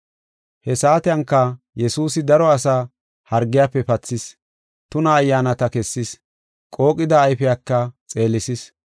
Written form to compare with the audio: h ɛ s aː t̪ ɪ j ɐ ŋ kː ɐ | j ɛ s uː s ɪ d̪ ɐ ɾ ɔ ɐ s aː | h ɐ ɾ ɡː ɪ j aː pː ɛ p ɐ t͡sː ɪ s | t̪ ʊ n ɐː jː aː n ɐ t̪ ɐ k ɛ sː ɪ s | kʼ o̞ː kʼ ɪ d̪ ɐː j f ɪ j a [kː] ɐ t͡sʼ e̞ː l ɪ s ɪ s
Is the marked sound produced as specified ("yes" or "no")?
yes